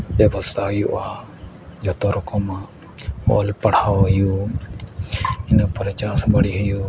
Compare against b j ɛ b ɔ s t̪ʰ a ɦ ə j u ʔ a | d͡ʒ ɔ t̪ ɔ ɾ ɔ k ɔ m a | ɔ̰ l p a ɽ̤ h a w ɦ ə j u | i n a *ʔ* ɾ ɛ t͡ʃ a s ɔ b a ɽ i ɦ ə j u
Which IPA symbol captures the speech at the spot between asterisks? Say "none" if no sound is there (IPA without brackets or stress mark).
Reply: p